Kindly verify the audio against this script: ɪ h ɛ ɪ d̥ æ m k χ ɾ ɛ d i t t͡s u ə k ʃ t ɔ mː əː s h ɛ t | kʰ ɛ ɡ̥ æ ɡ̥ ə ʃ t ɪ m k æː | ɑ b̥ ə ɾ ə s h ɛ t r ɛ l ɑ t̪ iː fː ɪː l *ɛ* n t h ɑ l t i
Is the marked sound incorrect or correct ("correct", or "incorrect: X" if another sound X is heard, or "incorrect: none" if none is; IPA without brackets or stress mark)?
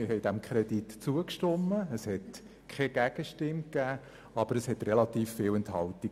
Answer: correct